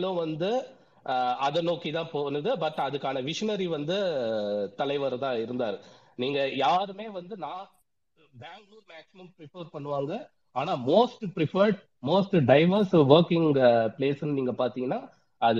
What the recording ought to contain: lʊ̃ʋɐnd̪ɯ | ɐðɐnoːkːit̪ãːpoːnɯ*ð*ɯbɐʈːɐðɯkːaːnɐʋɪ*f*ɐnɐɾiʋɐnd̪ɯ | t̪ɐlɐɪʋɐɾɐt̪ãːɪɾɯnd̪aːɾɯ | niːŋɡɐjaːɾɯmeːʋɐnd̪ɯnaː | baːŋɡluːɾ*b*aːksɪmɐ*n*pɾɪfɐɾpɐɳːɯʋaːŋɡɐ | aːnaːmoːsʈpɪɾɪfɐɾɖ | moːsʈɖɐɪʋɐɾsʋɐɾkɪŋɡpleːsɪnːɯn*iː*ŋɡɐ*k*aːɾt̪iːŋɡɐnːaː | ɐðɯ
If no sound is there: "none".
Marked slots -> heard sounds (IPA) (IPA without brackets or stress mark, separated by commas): ð, ʂ, m, m, iː, p